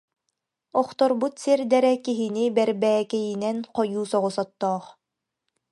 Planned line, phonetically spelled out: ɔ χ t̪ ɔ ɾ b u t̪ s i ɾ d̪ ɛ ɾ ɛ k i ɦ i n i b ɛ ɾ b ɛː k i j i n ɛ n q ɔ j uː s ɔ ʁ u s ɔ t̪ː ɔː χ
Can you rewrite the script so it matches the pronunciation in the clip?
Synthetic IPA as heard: ɔ χ t̪ ɔ ɾ b u t̪ s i ɾ d̪ ɛ ɾ ɛ k i ɦ i n i b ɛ ɾ b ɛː k ɛ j i n ɛ n q ɔ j uː s ɔ ʁ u s ɔ t̪ː ɔː χ